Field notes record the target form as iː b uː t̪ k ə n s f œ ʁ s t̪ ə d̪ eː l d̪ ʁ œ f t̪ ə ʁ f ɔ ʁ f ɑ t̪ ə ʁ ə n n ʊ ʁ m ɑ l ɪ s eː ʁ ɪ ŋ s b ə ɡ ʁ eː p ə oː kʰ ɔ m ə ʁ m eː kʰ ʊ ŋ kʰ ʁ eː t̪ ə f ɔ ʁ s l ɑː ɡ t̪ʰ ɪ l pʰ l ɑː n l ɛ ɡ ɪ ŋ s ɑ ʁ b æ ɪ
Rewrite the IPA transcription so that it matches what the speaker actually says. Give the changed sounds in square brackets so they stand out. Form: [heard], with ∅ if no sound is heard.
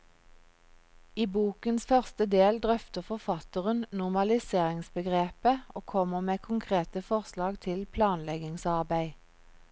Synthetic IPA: iː b uː [∅] k ə n s f œ ʁ s t̪ ə d̪ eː l d̪ ʁ œ f t̪ ə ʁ f ɔ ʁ f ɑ t̪ ə ʁ ə n n ʊ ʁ m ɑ l ɪ s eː ʁ ɪ ŋ s b ə ɡ ʁ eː p ə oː kʰ ɔ m ə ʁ m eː kʰ ʊ ŋ kʰ ʁ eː t̪ ə f ɔ ʁ s l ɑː ɡ t̪ʰ ɪ l pʰ l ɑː n l ɛ ɡ ɪ ŋ s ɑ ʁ b æ ɪ